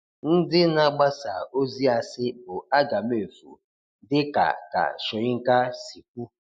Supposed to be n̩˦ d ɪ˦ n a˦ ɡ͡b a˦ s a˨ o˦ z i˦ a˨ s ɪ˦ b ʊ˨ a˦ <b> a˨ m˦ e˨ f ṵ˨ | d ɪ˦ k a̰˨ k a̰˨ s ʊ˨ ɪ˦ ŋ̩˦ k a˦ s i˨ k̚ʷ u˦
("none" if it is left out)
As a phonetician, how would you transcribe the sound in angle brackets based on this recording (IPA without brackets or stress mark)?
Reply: ɡ